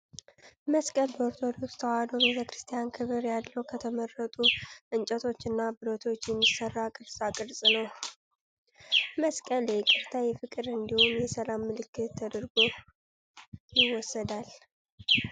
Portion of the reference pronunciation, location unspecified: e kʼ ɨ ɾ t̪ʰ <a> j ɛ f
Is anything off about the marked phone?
no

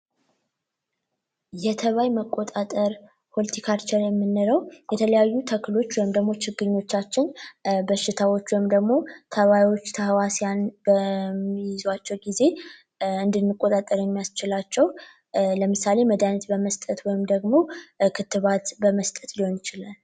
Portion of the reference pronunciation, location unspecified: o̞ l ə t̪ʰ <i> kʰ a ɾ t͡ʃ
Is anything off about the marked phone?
no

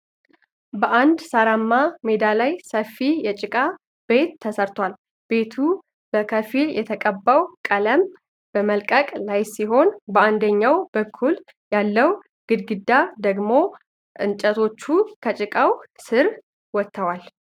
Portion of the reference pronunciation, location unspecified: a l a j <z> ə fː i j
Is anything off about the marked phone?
yes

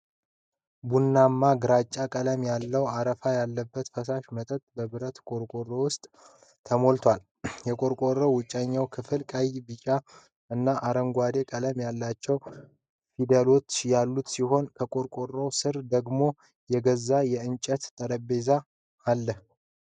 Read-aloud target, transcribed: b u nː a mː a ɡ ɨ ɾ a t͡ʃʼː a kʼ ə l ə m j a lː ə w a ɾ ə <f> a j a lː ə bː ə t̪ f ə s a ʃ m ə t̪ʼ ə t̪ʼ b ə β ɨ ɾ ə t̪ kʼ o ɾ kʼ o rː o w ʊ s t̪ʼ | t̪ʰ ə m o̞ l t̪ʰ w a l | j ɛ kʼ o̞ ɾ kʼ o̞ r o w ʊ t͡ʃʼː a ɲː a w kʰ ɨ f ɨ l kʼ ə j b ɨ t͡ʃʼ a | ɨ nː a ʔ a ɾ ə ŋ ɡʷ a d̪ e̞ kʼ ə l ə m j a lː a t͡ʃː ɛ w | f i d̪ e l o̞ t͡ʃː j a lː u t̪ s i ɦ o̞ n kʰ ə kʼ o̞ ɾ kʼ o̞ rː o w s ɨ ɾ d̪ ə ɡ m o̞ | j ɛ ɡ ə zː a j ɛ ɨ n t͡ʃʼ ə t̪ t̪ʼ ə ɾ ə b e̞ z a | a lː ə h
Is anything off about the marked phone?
no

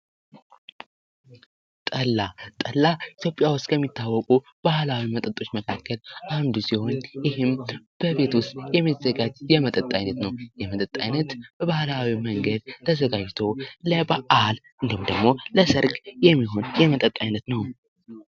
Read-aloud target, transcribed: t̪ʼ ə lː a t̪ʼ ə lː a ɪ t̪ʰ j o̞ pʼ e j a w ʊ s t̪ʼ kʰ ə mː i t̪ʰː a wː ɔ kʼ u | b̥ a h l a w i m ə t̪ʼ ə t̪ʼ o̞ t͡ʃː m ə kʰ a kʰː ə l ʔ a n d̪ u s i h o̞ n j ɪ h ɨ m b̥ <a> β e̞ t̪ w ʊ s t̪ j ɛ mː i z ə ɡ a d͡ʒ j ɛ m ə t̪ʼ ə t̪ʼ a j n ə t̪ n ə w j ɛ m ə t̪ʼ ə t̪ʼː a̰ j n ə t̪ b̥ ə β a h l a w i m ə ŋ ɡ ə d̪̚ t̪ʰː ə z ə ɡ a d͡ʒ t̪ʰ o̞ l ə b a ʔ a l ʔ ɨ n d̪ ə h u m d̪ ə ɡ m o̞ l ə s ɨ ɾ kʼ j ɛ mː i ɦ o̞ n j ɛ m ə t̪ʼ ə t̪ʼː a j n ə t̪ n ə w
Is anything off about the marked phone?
yes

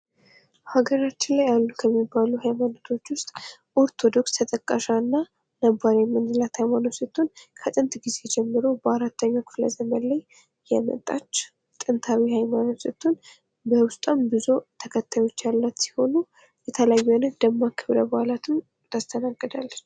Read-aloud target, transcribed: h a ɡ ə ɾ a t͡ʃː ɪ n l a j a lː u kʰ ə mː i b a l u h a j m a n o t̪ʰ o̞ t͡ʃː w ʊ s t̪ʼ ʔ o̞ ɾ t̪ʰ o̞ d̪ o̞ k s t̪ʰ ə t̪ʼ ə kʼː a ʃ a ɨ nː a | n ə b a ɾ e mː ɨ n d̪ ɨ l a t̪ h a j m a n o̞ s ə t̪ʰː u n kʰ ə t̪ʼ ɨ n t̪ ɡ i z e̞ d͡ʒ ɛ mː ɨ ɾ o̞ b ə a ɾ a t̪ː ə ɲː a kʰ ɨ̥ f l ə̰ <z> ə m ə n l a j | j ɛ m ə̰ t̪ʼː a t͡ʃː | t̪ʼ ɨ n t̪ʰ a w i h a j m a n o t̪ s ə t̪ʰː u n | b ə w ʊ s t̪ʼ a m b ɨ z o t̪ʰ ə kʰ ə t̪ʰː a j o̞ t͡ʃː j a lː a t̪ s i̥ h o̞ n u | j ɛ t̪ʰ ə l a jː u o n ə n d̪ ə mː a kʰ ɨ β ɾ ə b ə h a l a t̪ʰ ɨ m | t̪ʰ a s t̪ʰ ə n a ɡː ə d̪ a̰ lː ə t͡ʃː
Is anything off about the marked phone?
no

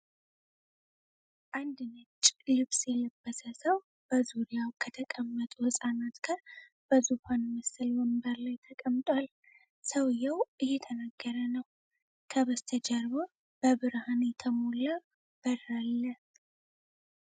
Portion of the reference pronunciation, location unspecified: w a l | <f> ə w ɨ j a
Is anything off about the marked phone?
yes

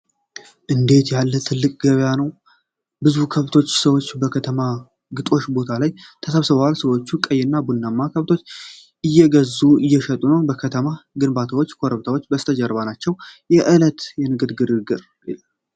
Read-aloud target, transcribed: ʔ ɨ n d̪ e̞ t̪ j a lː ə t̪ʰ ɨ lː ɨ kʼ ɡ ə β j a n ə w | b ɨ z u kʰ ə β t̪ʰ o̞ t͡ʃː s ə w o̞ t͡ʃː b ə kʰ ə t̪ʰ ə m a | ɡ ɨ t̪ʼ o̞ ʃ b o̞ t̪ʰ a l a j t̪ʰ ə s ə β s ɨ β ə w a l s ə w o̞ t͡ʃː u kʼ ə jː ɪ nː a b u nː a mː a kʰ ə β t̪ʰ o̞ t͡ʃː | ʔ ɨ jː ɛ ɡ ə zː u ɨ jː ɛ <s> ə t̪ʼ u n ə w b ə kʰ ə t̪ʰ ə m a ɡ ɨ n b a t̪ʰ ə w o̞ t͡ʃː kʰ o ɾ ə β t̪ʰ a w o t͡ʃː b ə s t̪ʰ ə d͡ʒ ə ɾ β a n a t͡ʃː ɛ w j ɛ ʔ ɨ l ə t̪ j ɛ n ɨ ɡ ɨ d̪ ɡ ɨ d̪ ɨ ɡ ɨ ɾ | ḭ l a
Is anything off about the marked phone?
yes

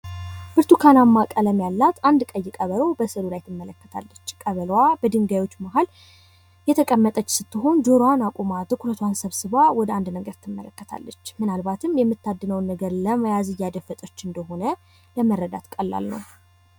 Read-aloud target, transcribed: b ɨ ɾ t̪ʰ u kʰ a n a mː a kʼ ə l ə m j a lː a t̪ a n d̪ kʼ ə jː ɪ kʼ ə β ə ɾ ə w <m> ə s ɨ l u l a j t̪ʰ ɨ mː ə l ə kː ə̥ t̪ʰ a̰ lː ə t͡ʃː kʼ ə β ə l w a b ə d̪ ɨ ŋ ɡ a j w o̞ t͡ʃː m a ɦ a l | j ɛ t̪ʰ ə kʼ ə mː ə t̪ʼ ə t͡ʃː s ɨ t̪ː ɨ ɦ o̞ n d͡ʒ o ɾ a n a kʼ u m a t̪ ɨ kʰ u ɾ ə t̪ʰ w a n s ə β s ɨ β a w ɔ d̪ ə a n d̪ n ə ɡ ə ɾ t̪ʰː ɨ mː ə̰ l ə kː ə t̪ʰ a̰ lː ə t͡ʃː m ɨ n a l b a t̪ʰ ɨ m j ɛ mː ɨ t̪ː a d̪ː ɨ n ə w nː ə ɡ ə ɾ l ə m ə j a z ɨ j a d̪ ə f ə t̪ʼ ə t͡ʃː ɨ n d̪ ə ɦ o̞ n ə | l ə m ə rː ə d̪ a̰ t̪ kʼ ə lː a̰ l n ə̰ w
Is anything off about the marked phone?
yes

